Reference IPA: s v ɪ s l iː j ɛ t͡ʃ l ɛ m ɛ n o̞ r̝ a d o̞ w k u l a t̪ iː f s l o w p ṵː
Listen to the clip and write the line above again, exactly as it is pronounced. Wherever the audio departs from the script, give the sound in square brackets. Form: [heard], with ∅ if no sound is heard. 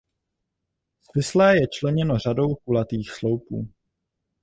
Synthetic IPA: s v ɪ s l [ɛː] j ɛ t͡ʃ l ɛ [ɲ] ɛ n o̞ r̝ a d o̞ w k u l a t̪ iː [x] s l o w p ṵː